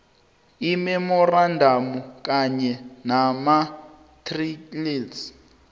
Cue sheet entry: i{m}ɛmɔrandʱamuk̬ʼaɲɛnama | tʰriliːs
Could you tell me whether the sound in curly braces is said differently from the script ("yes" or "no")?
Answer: no